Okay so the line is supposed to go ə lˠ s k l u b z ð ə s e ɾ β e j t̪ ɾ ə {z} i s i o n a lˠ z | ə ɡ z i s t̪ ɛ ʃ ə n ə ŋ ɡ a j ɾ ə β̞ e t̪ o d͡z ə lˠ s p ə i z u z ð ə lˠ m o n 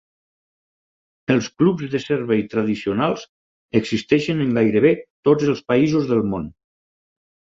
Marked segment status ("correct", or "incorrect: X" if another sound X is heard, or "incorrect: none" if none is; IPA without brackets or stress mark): incorrect: ð